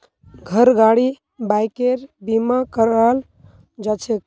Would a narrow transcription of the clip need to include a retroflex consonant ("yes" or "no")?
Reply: yes